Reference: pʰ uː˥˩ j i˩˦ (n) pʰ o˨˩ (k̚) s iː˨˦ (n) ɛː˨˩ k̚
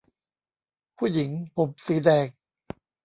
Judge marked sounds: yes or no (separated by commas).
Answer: no, no, no